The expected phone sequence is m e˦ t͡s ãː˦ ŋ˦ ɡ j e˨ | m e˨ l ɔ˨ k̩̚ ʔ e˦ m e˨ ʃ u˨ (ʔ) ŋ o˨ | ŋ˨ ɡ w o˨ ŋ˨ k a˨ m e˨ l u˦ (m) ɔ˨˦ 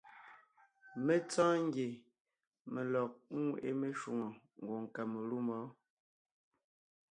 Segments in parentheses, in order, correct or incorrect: incorrect: none, correct

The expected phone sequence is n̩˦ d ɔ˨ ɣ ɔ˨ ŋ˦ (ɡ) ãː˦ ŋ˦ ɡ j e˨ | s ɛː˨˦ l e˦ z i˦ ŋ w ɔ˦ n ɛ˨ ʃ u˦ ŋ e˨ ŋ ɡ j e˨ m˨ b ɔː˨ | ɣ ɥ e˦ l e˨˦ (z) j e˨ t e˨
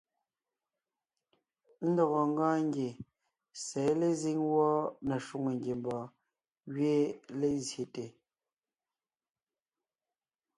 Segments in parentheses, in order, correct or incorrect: correct, correct

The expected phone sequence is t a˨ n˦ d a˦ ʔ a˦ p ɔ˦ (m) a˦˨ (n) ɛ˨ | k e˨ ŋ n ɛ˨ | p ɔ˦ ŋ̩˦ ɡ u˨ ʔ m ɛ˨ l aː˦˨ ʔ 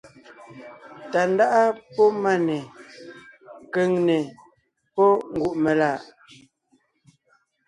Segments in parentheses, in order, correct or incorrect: correct, correct

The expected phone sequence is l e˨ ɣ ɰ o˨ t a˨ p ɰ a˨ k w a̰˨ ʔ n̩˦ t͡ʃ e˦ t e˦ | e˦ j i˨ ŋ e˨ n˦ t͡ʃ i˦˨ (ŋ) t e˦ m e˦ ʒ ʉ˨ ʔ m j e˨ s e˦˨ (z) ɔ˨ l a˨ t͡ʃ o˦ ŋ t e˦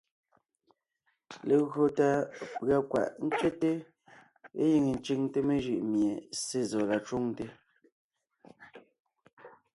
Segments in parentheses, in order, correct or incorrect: correct, correct

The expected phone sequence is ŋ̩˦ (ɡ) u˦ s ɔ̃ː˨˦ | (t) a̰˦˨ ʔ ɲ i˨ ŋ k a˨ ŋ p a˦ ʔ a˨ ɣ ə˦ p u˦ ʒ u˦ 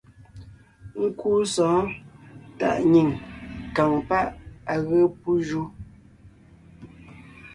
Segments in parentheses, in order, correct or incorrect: incorrect: k, correct

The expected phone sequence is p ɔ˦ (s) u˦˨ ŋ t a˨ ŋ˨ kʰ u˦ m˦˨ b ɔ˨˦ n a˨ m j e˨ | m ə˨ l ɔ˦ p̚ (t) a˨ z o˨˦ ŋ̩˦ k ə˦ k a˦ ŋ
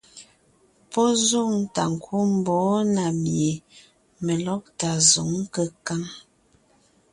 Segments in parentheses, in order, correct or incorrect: incorrect: z, correct

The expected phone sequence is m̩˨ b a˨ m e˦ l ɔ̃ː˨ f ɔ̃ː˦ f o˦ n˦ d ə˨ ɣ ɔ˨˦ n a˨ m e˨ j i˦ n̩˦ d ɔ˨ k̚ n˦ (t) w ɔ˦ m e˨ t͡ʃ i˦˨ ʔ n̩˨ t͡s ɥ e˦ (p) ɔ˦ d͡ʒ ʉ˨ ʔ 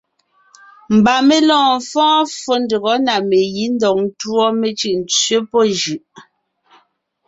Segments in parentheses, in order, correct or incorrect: correct, correct

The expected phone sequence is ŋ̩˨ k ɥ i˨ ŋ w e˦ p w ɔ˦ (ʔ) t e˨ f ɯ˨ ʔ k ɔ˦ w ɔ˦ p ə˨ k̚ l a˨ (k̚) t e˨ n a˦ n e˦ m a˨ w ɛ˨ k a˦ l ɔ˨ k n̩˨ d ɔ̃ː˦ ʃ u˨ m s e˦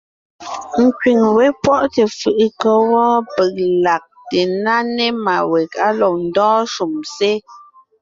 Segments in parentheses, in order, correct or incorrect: correct, correct

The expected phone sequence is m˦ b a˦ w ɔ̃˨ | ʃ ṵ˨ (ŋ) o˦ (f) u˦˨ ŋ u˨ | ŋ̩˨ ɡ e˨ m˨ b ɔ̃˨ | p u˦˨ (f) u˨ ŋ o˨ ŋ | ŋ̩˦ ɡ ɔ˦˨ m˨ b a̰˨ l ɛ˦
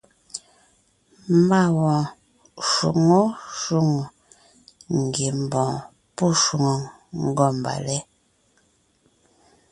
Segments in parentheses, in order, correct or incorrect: correct, incorrect: ʃ, incorrect: ʃ

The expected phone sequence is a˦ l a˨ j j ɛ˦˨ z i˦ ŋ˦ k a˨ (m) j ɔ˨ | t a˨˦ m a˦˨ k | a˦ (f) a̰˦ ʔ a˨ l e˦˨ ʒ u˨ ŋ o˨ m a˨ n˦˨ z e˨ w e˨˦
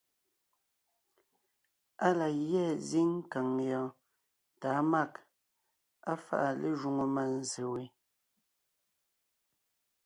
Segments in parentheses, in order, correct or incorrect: incorrect: ŋ, correct

